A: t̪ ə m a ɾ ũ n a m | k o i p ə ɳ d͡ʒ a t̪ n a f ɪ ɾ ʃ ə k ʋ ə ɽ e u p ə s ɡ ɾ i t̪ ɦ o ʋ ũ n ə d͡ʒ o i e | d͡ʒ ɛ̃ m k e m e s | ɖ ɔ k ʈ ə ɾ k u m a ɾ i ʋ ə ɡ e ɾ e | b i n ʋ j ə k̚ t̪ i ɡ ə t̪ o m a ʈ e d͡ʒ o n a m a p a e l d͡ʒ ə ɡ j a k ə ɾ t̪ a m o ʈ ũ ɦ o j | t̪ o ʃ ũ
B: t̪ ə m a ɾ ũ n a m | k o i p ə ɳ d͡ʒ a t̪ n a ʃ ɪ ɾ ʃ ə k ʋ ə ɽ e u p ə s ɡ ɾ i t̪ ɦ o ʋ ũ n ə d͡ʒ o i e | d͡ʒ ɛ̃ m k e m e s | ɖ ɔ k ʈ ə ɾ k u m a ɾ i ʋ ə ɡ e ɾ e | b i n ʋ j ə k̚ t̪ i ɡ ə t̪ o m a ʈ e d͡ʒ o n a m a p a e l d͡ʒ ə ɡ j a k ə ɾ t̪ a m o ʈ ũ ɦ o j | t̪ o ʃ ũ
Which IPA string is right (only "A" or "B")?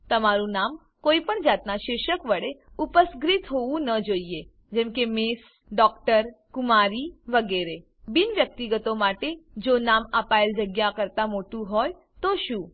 B